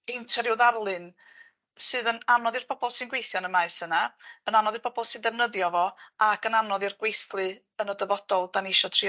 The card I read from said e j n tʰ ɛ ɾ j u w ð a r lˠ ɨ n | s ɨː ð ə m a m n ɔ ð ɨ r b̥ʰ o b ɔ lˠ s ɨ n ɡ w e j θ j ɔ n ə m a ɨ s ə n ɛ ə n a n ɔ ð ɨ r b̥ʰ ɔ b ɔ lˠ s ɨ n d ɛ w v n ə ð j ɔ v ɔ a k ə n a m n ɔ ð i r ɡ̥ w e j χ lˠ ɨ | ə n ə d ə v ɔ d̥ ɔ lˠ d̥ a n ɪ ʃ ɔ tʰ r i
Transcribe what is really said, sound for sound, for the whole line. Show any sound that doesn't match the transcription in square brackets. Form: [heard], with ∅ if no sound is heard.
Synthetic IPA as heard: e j n tʰ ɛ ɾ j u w ð a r lˠ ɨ n | s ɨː ð ə [n] a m n ɔ ð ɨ r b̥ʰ [ɔ] b ɔ lˠ s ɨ n ɡ w e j θ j ɔ n ə m a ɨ s ə n [a] ə n a n ɔ ð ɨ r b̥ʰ ɔ b ɔ lˠ s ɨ n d ɛ [∅] v n ə ð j ɔ v ɔ a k ə n a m n ɔ ð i r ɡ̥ w e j [θ] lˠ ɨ | ə n ə d ə v ɔ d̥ ɔ lˠ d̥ a n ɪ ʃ ɔ tʰ r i